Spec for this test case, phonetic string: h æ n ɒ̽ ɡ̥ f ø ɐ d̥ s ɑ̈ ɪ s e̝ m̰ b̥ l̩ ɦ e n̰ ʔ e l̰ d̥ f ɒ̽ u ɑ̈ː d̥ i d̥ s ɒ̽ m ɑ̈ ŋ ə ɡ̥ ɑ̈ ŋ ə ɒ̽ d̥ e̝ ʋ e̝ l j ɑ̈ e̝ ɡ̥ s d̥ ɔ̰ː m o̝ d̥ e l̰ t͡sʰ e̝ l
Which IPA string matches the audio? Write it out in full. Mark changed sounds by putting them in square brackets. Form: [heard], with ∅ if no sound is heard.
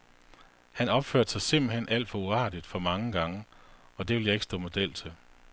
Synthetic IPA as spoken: h æ n ɒ̽ [b̥] f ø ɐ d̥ s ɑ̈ ɪ s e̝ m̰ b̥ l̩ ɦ e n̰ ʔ [æ] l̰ d̥ f ɒ̽ u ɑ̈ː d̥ i d̥ [f] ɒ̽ m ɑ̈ ŋ ə ɡ̥ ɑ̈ ŋ ə ɒ̽ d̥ e̝ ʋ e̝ l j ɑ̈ e̝ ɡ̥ s d̥ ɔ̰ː m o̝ d̥ e l̰ t͡sʰ e̝ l